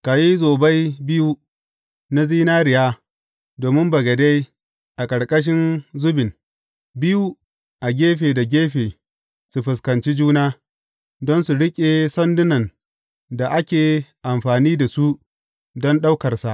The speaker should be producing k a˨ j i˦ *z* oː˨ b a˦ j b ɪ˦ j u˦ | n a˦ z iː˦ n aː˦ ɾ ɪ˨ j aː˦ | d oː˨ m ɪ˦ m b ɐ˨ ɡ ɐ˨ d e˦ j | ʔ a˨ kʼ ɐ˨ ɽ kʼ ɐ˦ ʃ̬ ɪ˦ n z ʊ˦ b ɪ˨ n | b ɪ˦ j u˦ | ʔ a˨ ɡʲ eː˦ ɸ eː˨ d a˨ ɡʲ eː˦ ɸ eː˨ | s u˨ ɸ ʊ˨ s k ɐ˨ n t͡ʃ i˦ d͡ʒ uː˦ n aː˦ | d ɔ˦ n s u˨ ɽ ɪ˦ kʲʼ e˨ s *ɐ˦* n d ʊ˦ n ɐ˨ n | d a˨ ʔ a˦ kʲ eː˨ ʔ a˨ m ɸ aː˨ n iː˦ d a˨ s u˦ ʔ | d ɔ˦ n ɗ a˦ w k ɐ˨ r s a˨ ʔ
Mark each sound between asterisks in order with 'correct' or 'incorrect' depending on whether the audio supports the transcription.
correct, correct

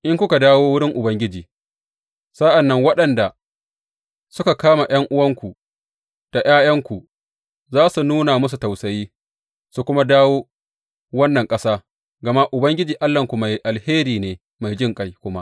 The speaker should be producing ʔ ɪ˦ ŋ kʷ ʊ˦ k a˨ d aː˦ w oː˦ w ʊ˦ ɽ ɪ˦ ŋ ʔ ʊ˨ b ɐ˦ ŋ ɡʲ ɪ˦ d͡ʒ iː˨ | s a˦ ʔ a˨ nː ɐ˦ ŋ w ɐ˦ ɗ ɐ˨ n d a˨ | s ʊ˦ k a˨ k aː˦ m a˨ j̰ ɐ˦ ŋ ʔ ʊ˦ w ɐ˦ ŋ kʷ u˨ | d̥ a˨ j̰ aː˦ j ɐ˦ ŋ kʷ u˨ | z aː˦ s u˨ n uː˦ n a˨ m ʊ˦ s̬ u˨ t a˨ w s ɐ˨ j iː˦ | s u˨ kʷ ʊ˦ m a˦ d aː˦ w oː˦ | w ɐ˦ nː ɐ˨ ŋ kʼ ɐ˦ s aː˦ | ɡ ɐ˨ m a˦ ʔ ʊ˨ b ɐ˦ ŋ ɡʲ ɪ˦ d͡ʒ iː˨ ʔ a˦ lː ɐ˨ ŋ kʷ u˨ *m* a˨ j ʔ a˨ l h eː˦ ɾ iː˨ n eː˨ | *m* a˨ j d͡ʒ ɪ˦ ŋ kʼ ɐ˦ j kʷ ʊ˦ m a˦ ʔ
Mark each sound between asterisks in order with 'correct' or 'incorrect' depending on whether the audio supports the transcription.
correct, correct

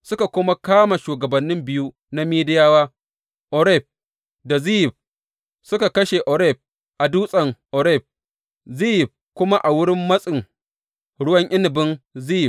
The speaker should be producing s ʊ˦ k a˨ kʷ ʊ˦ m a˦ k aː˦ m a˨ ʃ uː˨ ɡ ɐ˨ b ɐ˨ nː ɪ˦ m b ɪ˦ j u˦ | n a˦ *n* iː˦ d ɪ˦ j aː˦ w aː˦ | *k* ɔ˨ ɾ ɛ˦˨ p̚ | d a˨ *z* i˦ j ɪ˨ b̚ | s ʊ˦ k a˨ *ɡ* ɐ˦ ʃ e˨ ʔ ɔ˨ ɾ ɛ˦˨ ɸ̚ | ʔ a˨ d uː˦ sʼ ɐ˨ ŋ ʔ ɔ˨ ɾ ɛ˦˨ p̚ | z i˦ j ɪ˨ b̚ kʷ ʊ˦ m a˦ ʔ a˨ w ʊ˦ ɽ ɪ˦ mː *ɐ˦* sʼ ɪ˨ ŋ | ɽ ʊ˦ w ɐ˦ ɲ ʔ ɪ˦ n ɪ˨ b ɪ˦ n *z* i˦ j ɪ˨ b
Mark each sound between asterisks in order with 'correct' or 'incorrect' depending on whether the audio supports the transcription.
incorrect: m, incorrect: ʔ, correct, incorrect: k, correct, correct

